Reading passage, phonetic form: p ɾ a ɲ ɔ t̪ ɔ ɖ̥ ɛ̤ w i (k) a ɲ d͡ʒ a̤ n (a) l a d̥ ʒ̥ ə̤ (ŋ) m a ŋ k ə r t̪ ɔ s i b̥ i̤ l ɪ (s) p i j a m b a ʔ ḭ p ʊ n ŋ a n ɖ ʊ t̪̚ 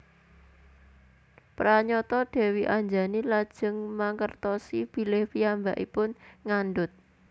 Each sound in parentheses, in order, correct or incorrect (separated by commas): incorrect, incorrect, correct, incorrect